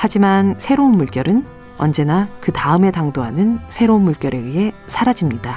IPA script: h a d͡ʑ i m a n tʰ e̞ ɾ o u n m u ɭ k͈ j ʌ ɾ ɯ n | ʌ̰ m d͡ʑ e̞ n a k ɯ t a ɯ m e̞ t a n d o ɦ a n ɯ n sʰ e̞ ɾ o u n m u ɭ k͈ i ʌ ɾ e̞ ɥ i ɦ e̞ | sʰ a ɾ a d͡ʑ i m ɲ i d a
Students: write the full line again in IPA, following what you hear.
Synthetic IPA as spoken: h a d͡ʑ i m a n sʰ e̞ ɾ o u n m u ɭ k͈ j ʌ ɾ ɯ n | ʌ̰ n d͡ʑ e̞ n a k ɯ t a ɯ m e̞ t a ŋ d o ɦ a n ɯ n sʰ e̞ ɾ o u n m u ɭ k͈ j ʌ ɾ e̞ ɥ i ɦ e̞ | sʰ a ɾ a d͡ʑ i m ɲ i d a